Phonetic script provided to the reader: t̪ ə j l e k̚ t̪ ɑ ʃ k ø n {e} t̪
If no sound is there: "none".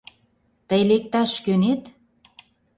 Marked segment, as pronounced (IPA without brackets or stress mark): e